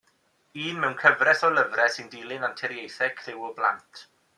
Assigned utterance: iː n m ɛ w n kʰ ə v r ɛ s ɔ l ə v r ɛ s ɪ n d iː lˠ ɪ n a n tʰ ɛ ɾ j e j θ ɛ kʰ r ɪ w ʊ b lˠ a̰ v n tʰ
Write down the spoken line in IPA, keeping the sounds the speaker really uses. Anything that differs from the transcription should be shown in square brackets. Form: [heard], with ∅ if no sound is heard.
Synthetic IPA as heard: iː n m ɛ w n kʰ ə v r ɛ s ɔ l ə v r ɛ s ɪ n d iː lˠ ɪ n a n tʰ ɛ ɾ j e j θ ɛ kʰ r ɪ w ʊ b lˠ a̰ [∅] n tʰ